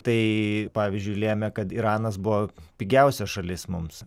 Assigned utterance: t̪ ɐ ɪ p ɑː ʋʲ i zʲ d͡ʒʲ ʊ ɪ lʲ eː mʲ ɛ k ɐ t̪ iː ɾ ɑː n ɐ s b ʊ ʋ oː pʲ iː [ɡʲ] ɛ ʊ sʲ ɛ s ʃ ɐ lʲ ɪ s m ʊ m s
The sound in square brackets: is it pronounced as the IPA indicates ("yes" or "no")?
yes